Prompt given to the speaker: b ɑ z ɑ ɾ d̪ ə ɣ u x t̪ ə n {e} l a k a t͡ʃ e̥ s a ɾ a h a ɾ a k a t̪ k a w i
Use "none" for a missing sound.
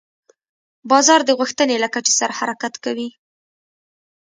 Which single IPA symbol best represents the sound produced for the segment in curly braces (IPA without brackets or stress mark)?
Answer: e